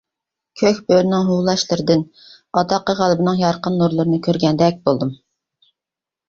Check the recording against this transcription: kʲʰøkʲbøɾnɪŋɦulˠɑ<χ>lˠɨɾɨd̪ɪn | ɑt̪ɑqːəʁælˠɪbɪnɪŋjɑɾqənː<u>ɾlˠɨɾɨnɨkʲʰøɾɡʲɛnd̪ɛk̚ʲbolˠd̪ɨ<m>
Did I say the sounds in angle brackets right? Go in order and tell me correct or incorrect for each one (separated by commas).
incorrect, correct, correct